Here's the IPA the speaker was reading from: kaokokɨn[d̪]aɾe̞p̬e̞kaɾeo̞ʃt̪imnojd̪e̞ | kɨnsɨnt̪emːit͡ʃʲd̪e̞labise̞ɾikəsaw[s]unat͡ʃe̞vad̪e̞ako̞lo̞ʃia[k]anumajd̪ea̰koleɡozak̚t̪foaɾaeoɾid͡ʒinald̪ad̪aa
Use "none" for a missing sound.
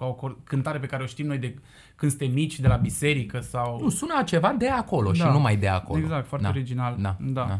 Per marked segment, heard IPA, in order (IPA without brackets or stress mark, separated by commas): t̪, s, none